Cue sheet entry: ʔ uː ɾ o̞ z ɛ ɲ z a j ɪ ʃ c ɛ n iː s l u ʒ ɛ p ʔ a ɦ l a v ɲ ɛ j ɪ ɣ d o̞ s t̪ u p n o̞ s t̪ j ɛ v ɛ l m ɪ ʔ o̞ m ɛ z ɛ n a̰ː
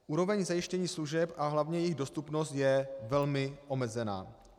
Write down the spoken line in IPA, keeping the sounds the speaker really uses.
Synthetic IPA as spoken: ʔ uː ɾ o̞ v ɛ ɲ z a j ɪ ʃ c ɛ ɲ iː s l u ʒ ɛ p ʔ a ɦ l a v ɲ ɛ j ɪ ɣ d o̞ s t̪ u p n o̞ s t̪ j ɛ v ɛ l m ɪ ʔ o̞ m ɛ z ɛ n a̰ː